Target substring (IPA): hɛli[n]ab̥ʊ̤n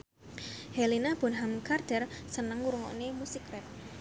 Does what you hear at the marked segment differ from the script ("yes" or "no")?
no